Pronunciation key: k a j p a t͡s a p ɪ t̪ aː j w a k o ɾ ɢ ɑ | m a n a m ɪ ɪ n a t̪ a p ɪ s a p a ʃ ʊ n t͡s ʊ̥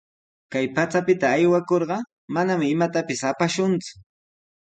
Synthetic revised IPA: k a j p a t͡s a p ɪ t̪ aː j w a k o ɾ ɢ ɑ | m a n a m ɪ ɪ m a t̪ a p ɪ s a p a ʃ ʊ n t͡s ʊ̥